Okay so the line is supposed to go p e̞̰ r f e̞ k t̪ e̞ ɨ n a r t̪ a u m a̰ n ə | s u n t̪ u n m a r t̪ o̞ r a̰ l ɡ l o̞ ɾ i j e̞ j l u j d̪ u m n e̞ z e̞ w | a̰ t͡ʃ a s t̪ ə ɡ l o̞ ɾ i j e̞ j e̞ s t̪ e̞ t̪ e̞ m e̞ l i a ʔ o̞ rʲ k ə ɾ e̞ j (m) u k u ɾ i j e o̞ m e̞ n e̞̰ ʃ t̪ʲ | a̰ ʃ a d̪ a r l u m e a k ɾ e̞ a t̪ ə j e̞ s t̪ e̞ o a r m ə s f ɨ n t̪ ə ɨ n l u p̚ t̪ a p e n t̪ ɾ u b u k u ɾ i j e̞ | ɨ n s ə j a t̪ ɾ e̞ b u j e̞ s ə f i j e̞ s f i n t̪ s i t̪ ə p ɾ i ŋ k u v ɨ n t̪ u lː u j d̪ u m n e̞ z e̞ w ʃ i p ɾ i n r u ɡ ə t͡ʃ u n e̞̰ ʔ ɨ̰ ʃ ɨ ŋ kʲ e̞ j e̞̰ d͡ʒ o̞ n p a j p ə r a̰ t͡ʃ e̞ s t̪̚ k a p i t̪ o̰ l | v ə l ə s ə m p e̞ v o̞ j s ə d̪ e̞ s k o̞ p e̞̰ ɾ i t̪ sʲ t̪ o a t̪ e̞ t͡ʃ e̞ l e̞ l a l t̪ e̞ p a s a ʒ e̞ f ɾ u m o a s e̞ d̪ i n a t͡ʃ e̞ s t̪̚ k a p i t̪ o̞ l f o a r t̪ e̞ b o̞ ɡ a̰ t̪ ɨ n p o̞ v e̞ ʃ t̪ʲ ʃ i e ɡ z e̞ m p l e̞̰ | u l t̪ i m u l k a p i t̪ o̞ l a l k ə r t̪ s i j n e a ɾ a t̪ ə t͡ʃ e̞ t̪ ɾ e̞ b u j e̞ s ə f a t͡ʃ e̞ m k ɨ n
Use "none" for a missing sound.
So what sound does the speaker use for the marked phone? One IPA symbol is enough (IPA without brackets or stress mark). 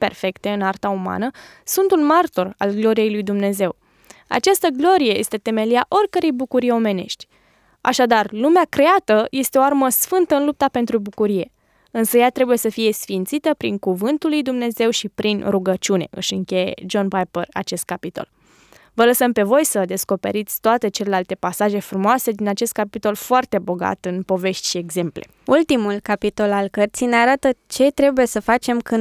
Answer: b